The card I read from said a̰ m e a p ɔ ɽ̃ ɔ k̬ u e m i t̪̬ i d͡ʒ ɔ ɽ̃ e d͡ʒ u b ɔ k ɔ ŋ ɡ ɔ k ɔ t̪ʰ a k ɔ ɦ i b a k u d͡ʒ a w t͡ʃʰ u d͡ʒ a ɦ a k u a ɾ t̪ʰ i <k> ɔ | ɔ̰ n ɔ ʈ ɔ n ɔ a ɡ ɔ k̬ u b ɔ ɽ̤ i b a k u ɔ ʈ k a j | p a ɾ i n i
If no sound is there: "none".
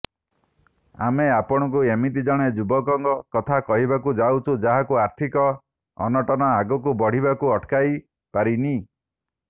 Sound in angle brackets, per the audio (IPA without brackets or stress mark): k